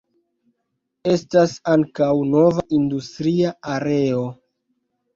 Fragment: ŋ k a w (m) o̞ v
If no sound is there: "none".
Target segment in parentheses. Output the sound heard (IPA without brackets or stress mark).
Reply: n